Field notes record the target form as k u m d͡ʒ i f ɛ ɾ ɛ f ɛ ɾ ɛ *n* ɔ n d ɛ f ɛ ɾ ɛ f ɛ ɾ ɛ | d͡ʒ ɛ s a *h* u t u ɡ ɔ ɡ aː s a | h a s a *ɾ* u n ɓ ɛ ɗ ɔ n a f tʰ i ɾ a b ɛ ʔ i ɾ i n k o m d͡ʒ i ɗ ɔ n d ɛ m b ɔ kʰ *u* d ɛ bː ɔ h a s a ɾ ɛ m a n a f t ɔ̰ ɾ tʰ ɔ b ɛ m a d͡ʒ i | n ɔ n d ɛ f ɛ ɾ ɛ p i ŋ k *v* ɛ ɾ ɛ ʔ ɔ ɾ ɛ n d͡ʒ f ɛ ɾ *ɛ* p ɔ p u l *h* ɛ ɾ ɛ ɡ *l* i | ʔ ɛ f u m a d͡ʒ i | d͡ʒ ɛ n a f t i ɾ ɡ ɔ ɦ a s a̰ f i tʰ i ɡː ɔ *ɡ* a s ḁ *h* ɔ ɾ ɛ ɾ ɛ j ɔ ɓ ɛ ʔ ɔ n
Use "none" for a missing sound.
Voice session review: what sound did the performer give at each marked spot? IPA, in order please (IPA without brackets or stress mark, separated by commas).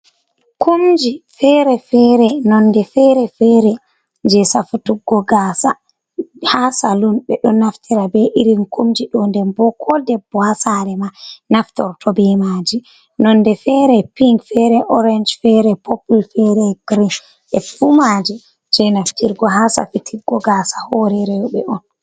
n, f, l, ɔ, f, ɛ, f, ɾ, ɡ, h